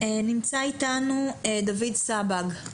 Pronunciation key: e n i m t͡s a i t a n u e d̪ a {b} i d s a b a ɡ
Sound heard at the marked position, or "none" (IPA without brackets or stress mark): v